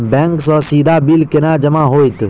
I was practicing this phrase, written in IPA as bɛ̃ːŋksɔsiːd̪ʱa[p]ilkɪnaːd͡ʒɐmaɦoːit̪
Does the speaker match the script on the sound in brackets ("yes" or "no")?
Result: no